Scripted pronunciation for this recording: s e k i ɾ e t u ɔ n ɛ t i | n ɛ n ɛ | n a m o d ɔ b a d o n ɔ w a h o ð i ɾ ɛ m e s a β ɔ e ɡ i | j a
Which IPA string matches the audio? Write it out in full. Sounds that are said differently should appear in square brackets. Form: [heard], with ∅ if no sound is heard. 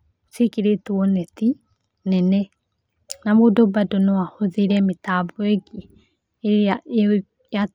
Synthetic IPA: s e k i ɾ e t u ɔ n ɛ t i | n ɛ n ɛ | n a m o d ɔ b a d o n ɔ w a h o ð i ɾ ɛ m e [t] a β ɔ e ɡ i | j a